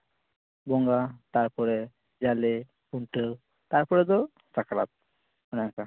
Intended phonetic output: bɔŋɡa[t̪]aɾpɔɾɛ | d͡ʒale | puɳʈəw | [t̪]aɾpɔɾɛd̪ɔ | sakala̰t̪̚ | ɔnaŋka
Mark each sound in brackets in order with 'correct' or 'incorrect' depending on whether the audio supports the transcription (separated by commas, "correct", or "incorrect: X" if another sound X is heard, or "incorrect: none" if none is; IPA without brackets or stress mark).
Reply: correct, correct